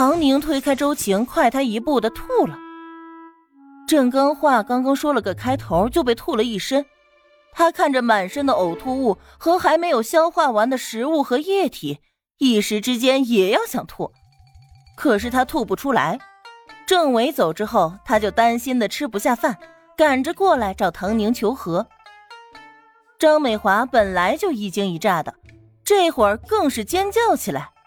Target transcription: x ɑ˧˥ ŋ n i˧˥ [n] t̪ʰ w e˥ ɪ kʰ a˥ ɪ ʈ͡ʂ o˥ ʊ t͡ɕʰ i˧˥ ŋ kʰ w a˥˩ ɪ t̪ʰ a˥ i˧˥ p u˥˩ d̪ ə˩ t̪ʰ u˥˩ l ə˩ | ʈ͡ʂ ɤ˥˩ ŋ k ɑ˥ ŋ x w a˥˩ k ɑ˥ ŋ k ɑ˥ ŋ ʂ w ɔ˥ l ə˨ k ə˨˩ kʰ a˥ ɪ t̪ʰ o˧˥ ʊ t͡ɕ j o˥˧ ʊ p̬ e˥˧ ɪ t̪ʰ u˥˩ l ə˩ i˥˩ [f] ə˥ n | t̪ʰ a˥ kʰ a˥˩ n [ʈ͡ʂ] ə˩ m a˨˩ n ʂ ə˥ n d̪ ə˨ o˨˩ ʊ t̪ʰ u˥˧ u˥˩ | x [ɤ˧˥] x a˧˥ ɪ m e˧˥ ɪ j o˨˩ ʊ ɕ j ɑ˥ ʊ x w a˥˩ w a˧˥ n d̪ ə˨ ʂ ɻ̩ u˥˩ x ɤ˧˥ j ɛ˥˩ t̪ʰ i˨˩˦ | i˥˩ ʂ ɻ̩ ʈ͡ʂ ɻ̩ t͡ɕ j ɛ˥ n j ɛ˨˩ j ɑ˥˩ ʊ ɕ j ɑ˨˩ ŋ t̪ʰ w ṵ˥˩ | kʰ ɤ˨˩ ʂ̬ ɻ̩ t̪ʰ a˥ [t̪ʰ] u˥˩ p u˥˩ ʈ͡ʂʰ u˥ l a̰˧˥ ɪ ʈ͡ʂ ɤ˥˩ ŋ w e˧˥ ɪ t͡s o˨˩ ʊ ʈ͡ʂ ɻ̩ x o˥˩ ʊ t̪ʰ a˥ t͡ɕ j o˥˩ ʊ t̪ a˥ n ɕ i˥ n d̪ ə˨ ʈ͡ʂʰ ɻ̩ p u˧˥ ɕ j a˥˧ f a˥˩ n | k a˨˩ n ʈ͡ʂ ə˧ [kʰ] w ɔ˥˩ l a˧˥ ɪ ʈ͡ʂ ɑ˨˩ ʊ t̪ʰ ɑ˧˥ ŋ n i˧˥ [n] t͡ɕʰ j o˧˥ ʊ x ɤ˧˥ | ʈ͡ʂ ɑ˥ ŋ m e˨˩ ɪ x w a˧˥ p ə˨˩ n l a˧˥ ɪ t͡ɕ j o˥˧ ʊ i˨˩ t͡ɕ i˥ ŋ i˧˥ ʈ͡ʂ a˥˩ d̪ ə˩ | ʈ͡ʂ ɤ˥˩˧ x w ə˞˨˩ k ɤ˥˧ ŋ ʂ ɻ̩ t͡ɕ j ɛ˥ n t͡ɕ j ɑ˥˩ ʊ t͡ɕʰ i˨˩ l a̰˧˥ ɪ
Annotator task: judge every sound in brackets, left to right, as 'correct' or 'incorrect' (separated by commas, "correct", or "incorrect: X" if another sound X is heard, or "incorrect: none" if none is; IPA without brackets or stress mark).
incorrect: ŋ, incorrect: ʂ, correct, correct, correct, incorrect: k, incorrect: ŋ